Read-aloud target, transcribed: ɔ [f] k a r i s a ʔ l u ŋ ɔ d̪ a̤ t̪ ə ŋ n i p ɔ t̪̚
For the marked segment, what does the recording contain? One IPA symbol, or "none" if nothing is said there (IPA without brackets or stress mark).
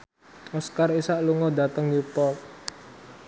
s